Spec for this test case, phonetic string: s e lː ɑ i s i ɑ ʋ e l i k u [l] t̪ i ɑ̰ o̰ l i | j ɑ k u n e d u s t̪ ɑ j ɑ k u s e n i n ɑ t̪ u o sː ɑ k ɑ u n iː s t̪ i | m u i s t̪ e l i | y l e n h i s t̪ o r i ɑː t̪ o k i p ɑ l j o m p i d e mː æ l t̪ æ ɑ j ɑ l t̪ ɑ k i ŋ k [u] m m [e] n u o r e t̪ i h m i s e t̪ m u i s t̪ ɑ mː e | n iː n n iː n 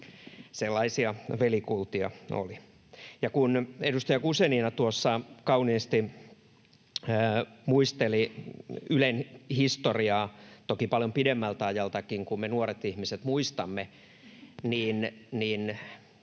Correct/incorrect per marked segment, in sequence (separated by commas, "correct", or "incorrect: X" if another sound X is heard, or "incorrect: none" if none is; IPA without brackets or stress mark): correct, correct, correct